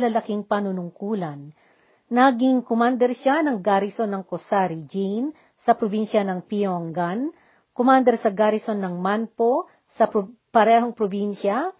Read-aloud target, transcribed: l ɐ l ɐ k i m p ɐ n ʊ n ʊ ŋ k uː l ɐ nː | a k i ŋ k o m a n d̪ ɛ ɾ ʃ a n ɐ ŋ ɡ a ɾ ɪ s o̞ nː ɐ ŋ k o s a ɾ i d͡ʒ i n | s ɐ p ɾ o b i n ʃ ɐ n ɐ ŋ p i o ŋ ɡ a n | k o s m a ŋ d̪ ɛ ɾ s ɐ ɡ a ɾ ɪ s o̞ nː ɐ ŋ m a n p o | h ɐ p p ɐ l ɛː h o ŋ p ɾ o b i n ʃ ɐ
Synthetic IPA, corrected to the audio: l ɐ l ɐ k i ŋ p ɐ n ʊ n ʊ ŋ k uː l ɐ nː | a ɡ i ŋ k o m a n d̪ ɛ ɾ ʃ a n ɐ ŋ ɡ a ɾ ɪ s o̞ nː ɐ ŋ k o s a ɾ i d͡ʒ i n | s ɐ p ɾ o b i n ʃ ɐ n ɐ ŋ p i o ŋ ɡ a n | k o m a n d̪ ɛ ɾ s ɐ ɡ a ɾ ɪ s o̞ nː ɐ ŋ m a n p o | s ɐ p p ɐ ɾ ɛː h o ŋ p ɾ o b i n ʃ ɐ